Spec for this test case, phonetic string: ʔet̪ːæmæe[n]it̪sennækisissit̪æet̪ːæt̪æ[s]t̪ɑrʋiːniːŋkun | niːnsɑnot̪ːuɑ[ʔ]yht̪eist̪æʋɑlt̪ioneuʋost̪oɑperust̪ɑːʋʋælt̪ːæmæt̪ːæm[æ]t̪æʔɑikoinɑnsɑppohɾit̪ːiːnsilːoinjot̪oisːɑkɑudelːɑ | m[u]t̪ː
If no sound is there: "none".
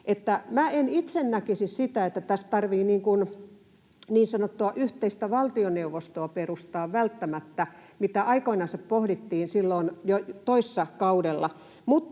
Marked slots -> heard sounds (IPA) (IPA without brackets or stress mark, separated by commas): n, s, ʔ, i, u